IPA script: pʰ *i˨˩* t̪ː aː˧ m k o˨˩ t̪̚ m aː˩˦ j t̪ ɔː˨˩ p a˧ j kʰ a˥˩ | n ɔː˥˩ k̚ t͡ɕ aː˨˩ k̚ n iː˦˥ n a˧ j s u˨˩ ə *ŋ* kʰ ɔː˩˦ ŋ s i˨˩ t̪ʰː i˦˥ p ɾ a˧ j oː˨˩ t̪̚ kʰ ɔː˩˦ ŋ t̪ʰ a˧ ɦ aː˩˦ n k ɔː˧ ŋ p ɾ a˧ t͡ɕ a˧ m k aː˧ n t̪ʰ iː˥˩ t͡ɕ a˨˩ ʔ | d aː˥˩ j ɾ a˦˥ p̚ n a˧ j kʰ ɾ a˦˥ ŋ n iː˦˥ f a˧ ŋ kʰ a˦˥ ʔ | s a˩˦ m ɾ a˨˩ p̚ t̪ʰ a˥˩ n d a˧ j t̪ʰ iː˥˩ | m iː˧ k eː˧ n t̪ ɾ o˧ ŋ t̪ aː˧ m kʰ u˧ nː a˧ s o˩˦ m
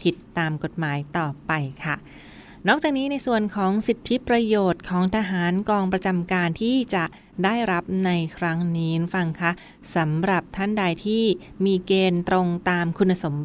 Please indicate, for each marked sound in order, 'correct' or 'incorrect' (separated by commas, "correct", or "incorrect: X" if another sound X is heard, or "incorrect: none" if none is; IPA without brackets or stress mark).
correct, incorrect: n